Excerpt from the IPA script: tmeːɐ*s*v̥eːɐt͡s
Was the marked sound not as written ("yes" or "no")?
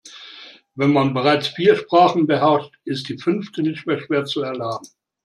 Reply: yes